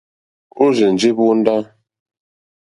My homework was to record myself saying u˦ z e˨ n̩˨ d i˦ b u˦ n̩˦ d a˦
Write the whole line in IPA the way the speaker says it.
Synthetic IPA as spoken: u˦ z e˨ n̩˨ d͡ʒ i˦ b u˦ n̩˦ d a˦